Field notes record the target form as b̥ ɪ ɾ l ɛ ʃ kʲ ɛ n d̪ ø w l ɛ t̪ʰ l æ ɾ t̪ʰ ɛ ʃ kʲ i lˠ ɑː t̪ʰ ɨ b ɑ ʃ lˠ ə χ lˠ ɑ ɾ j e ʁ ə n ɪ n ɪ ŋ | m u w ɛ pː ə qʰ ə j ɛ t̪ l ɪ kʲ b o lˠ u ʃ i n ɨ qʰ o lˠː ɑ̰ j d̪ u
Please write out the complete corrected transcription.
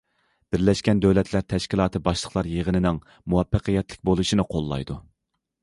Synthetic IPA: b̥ ɪ ɾ l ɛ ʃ kʲ ɛ n d̪ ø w l ɛ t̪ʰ l æ ɾ t̪ʰ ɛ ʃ kʲ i lˠ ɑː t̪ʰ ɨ b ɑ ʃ lˠ ə χ lˠ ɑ ɾ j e ʁ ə n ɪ n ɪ ŋ | m u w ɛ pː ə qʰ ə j ɛ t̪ l ɪ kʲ b o lˠ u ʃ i n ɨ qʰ o lˠː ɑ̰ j d̪ u